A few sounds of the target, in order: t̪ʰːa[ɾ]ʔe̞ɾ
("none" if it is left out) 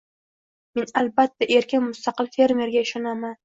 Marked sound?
none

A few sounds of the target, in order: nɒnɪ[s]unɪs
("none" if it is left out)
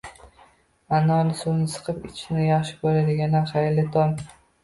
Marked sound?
s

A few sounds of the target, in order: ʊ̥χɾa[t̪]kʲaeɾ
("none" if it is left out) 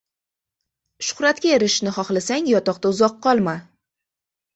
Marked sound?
t̪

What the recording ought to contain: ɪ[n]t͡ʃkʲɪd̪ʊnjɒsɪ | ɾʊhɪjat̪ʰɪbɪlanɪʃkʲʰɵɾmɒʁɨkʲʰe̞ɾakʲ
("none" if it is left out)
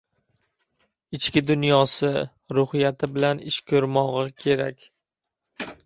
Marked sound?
none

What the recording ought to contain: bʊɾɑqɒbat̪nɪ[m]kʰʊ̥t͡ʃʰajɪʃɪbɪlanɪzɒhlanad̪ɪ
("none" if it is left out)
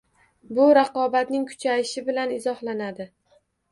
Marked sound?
ŋ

